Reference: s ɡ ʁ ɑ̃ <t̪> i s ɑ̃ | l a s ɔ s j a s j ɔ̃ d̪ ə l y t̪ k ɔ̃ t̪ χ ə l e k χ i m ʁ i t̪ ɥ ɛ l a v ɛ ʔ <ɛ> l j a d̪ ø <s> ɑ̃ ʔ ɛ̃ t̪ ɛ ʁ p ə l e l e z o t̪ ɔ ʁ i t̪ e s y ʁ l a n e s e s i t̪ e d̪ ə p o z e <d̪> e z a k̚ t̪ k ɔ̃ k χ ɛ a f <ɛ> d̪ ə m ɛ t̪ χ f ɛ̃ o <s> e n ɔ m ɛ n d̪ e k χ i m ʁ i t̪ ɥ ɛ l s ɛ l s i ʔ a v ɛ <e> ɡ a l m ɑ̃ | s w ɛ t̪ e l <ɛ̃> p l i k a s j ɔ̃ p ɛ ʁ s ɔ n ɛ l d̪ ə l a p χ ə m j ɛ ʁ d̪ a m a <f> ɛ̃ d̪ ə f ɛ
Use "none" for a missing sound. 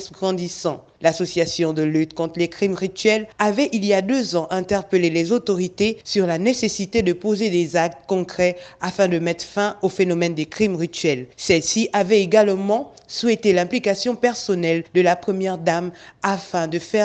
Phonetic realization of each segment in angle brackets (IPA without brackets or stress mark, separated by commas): d̪, i, z, d̪, ɛ̃, f, e, ɛ̃, f